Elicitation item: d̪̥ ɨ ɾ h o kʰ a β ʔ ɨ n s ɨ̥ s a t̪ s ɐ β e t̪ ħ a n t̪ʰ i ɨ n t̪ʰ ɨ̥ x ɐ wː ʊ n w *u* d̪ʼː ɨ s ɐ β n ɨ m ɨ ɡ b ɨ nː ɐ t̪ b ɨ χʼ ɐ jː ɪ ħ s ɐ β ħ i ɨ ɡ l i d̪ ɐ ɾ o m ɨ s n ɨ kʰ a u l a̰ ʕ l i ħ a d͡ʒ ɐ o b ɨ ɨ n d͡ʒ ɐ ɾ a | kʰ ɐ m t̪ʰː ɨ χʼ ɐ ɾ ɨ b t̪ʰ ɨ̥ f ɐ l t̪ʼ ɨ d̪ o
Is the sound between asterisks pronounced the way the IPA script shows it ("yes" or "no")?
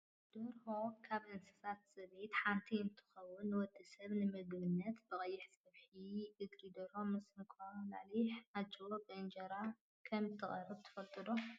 no